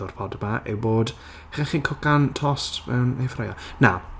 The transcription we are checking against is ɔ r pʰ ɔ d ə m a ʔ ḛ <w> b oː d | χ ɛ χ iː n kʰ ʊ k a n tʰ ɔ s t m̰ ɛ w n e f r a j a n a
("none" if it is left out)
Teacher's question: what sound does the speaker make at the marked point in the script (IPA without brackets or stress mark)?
w